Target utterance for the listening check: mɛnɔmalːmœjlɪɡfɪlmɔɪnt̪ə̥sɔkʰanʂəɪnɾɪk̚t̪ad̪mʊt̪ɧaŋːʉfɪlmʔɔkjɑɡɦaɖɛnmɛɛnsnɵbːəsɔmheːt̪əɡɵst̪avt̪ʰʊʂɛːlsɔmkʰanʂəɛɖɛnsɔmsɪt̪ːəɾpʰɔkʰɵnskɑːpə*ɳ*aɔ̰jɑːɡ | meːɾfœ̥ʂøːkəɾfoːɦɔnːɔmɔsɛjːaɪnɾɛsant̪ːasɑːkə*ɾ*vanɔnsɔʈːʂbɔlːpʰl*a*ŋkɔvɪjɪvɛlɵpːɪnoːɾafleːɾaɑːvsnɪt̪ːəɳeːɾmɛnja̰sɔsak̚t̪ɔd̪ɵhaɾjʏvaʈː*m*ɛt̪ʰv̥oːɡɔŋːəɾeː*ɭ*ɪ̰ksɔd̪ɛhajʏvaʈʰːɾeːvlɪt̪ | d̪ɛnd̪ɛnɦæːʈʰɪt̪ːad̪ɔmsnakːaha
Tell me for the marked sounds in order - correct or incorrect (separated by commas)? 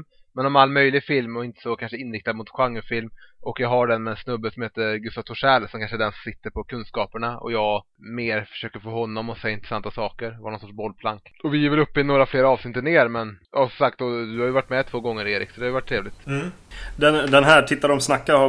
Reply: correct, correct, correct, correct, incorrect